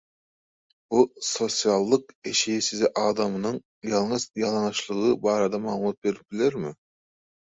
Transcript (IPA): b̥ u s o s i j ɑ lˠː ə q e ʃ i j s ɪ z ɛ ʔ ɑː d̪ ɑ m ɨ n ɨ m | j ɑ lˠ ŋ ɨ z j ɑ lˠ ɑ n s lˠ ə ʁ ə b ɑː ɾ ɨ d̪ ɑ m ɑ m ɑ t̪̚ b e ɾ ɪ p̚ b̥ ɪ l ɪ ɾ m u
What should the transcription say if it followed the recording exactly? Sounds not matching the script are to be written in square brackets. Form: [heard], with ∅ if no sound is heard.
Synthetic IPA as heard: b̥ u s o s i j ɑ lˠː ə q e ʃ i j s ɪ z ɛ ʔ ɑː d̪ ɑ m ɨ n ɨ [ŋ] | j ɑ lˠ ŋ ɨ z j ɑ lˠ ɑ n [ʃ] lˠ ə ʁ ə b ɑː ɾ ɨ d̪ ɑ m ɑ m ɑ t̪̚ b e ɾ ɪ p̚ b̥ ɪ l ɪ ɾ m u